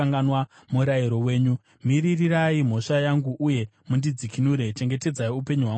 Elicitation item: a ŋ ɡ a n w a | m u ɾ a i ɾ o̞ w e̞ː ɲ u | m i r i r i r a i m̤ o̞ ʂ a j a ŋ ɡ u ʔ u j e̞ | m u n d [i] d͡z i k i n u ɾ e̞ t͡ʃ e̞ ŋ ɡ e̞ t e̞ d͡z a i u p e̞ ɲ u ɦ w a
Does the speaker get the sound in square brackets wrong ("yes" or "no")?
no